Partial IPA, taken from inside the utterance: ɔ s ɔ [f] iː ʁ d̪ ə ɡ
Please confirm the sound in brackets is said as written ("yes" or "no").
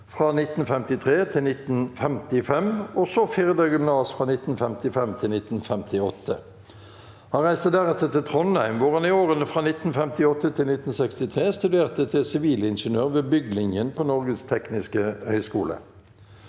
yes